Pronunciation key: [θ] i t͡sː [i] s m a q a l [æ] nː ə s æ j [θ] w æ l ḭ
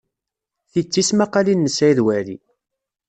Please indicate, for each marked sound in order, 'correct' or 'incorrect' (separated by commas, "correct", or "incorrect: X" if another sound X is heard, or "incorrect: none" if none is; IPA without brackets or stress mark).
correct, correct, incorrect: i, incorrect: ð